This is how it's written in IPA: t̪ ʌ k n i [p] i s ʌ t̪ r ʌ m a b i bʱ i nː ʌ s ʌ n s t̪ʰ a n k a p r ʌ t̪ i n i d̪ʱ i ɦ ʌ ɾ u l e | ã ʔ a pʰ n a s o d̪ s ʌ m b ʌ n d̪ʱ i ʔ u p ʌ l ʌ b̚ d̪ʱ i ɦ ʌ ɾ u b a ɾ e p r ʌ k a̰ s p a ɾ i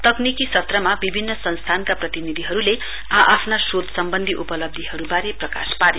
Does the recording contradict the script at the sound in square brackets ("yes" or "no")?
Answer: yes